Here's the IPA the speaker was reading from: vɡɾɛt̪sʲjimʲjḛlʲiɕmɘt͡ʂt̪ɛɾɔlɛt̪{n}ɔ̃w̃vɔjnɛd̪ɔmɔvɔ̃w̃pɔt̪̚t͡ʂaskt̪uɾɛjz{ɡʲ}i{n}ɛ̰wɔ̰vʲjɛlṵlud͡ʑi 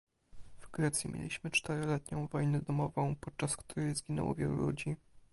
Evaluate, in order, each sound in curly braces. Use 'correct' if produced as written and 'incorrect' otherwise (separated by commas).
incorrect, correct, correct